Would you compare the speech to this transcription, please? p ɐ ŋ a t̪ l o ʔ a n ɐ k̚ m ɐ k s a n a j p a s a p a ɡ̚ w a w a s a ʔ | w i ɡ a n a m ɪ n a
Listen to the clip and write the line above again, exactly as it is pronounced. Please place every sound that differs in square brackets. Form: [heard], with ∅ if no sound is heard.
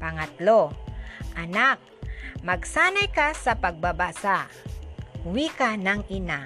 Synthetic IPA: p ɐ ŋ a t̪ l o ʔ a n [a] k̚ m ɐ [ɡ] s a n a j [k] a s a p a ɡ̚ [b] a [b] a s a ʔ | w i [k] a n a [ŋ] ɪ n a